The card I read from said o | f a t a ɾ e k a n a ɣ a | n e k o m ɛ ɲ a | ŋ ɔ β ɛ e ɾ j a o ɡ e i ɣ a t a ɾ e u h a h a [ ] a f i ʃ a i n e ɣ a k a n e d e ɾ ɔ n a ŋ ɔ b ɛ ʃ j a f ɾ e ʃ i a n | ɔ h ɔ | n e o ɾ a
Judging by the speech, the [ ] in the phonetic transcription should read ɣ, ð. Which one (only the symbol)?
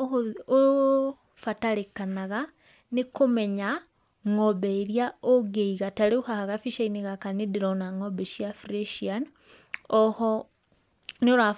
ɣ